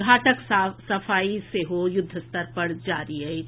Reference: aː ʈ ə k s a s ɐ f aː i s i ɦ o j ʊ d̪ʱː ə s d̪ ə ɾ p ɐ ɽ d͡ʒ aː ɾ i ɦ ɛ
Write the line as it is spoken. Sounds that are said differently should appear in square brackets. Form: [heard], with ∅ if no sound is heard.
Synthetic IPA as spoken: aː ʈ ə k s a s ɐ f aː i s [e] ɦ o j ʊ d̪ʱː ə s [t̪] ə ɾ p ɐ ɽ d͡ʒ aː ɾ i ɦ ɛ